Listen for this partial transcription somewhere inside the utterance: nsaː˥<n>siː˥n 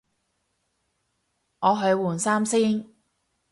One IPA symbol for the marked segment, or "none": m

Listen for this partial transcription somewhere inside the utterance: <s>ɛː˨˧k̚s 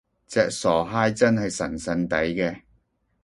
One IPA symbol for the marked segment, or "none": t͡s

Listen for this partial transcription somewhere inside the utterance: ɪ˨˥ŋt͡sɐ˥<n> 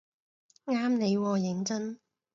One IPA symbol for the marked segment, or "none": n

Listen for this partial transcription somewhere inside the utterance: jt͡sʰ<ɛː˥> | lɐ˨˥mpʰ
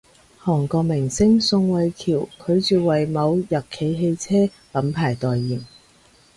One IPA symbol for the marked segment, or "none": ɛː˥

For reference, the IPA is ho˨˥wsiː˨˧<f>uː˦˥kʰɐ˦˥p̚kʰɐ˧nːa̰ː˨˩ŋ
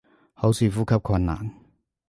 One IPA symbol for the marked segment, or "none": f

